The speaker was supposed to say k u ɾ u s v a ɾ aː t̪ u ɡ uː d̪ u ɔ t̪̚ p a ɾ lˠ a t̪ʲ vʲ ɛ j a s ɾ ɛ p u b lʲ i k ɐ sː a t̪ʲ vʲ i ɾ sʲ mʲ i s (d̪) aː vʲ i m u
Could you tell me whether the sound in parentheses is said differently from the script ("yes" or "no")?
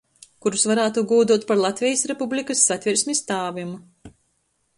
yes